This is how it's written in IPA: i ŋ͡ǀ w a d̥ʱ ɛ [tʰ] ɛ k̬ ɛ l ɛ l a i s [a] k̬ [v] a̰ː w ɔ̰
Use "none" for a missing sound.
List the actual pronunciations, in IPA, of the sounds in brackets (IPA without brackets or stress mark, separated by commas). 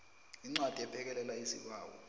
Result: pʰ, i, w